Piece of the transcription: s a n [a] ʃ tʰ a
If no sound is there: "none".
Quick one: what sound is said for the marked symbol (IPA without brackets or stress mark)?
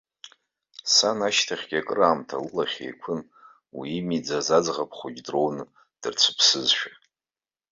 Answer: a